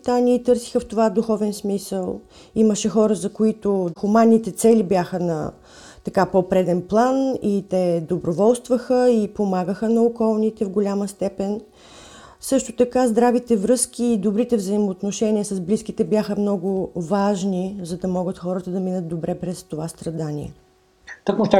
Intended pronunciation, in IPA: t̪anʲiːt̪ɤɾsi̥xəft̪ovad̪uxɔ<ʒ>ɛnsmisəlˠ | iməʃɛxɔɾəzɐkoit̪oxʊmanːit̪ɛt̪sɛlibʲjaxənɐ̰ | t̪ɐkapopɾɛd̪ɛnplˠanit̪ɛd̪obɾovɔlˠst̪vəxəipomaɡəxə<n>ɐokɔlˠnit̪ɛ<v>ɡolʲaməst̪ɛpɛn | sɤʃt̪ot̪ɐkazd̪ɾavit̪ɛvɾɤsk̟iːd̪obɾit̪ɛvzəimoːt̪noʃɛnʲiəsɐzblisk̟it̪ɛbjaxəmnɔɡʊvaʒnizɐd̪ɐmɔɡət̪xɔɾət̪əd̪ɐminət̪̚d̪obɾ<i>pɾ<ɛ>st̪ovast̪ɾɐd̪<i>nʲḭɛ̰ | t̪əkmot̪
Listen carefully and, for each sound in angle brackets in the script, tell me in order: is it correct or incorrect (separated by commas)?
incorrect, correct, correct, incorrect, correct, incorrect